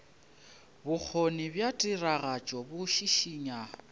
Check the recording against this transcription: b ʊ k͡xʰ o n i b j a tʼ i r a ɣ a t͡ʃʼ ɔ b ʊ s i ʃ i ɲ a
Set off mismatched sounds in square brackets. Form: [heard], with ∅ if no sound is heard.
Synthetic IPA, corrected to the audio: b ʊ k͡xʰ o n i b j a tʼ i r a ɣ a t͡ʃʼ ɔ b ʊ [ʃ] i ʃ i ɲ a